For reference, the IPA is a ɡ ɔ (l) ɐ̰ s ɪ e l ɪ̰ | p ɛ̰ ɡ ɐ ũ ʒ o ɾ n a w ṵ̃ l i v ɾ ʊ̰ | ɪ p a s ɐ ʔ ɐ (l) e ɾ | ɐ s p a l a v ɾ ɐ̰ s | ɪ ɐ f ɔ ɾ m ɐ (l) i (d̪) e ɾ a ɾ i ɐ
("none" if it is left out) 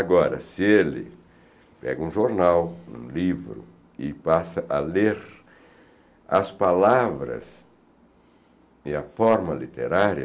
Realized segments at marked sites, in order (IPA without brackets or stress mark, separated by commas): ɾ, l, l, t̪